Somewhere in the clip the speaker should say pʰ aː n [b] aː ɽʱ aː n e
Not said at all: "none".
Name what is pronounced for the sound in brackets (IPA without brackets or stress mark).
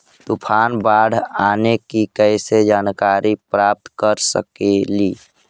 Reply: b